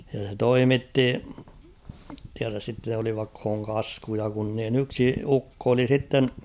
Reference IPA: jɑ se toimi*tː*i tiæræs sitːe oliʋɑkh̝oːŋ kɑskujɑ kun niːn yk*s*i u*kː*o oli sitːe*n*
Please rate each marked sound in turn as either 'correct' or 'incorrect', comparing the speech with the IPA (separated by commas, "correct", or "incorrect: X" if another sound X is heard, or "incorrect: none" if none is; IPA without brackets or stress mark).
correct, correct, correct, correct